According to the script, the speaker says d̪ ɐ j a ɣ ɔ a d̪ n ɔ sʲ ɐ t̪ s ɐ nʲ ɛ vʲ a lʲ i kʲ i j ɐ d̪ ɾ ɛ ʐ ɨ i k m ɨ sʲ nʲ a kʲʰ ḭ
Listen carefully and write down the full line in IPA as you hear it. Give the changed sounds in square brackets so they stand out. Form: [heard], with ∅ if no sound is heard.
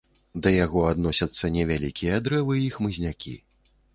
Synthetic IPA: d̪ ɐ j a ɣ ɔ a d̪ n ɔ sʲ ɐ t̪ [sː] ɐ nʲ ɛ vʲ a lʲ i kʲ i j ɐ d̪ ɾ ɛ [v] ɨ i [x] m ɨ [zʲ] nʲ a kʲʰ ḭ

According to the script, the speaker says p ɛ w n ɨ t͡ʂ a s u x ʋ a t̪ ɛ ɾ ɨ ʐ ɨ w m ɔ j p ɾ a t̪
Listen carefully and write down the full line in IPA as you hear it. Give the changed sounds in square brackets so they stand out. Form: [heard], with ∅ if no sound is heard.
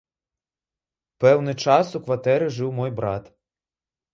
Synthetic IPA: p ɛ w n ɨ t͡ʂ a s u [k] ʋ a t̪ ɛ ɾ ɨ ʐ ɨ w m ɔ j [b] ɾ a t̪

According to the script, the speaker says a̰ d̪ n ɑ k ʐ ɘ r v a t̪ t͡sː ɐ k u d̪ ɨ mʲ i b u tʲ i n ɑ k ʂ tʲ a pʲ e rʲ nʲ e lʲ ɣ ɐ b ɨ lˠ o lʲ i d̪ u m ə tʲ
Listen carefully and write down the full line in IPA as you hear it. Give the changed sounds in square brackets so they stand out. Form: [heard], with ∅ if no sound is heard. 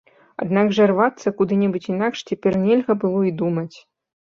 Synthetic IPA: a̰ d̪ n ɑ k ʐ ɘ r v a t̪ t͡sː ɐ k u d̪ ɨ [nʲ] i b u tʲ i n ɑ k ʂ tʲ [e] pʲ e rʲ nʲ e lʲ ɣ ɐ b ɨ lˠ o [∅] i d̪ u m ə tʲ

